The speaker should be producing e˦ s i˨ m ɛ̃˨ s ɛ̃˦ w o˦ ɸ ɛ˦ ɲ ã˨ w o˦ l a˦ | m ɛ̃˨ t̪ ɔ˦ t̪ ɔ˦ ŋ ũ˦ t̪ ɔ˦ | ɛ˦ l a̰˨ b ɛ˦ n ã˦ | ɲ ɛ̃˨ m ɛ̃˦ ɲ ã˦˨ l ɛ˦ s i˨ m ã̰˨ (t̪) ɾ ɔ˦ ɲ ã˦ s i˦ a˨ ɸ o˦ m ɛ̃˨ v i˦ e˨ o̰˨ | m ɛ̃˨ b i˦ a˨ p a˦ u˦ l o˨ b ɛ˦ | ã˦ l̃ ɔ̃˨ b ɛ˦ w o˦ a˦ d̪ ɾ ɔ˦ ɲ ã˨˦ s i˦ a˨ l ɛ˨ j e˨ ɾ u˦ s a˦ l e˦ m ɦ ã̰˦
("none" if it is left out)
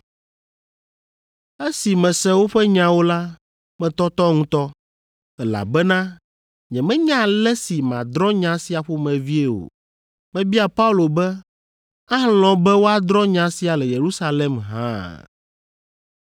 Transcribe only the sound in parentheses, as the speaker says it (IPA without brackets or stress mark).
d̪